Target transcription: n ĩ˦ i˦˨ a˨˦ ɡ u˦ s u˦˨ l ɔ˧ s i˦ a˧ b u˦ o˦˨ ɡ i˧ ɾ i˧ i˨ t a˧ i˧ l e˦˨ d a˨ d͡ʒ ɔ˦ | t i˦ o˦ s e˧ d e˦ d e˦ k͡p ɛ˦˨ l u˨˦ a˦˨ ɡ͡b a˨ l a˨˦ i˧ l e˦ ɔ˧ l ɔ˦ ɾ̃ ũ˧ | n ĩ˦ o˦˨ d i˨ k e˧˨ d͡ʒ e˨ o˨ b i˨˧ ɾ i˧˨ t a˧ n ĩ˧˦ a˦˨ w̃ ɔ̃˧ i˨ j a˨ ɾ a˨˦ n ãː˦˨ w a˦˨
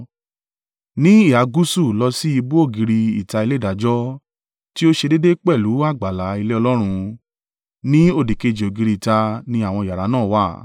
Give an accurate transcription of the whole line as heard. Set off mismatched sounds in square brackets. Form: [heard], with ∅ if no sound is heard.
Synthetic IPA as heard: n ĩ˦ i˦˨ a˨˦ ɡ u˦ s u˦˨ l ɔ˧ s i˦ [i˧] b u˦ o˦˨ ɡ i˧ ɾ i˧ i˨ t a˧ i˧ l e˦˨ d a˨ d͡ʒ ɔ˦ | t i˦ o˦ [ʃ] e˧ d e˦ d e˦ k͡p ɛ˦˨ l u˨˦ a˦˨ ɡ͡b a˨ l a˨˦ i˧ l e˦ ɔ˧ l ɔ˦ ɾ̃ ũ˧ | n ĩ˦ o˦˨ d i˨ k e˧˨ d͡ʒ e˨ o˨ [ɡ] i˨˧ ɾ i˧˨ t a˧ n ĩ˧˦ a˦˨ w̃ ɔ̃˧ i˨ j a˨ ɾ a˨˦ n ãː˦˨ w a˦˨